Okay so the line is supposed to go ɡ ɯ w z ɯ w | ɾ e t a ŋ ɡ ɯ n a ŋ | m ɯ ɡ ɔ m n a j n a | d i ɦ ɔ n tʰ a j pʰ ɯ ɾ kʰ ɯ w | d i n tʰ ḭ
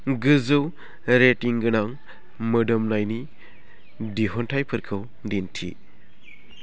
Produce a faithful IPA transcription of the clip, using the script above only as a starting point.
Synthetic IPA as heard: ɡ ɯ z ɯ w | ɾ e t i ŋ ɡ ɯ n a ŋ | m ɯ d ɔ m n a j n i | d i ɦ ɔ n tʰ a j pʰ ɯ ɾ kʰ ɯ w | d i n tʰ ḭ